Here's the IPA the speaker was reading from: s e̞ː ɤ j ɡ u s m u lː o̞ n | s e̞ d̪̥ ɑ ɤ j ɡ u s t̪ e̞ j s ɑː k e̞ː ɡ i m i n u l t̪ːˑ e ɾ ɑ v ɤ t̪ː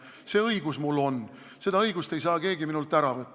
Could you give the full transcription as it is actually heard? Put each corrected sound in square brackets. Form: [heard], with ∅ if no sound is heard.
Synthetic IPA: s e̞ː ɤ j ɡ u s m u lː o̞ n | s e̞ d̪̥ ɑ ɤ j ɡ u s t̪ e̞ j s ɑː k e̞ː ɡ i m i n u l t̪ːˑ [æ] ɾ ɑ v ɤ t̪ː